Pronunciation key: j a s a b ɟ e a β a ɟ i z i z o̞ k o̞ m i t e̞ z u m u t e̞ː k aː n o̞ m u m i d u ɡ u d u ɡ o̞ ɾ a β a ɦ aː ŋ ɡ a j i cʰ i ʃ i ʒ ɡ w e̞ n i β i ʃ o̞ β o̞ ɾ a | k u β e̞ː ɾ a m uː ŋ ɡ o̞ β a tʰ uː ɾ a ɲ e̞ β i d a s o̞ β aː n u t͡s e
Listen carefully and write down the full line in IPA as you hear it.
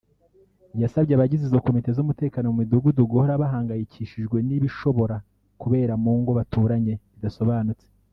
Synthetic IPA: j a s a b ɟ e a β a ɟ i z i z o̞ k o̞ m i t e̞ z u m u t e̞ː k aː n o̞ m u m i d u ɡ u d u ɡ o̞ ɾ a β a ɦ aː ŋ ɡ a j i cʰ i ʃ i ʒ ɡ w e̞ n i β i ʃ o̞ β o̞ ɾ a | k u β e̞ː ɾ a m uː ŋ ɡ o̞ β a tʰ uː ɾ a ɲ e̞ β i d a s o̞ β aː n u t͡s e